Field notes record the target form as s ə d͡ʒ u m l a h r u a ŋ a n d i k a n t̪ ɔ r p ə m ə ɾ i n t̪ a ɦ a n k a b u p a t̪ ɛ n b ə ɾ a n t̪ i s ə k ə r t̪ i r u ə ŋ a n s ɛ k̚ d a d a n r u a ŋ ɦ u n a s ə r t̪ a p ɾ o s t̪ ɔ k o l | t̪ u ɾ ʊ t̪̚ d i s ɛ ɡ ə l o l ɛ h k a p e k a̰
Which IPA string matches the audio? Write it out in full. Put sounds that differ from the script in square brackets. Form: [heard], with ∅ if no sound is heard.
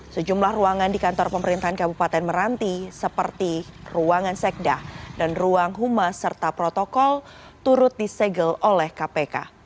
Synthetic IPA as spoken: s ə d͡ʒ u m l a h r u a ŋ a n d i k a n t̪ ɔ r p ə m ə ɾ i n t̪ a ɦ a n k a b u p a t̪ ɛ n [m] ə ɾ a n t̪ i s ə [p] ə r t̪ i r u [a] ŋ a n s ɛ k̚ d a d a n r u a ŋ ɦ u [m] a s ə r t̪ a p ɾ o [∅] t̪ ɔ k [ɔ] l | t̪ u ɾ ʊ t̪̚ d i s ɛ ɡ ə l o l ɛ h k a p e k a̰